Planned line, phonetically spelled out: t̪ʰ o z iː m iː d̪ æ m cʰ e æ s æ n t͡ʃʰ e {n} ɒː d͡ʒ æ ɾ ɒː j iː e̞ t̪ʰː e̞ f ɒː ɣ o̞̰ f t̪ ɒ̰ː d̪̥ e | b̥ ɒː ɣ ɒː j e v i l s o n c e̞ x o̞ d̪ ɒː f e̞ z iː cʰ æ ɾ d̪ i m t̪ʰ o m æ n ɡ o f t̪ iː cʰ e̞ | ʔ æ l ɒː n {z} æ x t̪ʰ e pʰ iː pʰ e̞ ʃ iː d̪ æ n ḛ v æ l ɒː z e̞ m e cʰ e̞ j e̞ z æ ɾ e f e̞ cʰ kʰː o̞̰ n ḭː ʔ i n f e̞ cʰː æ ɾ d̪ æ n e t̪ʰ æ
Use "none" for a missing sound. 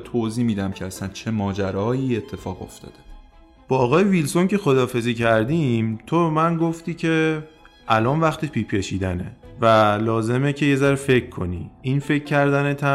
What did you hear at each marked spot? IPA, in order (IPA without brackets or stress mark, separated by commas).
m, v